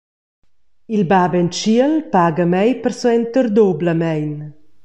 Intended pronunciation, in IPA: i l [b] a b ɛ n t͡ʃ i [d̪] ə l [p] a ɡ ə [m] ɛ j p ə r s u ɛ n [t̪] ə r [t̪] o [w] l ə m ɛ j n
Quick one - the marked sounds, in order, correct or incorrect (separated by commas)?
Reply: correct, incorrect, correct, correct, correct, incorrect, incorrect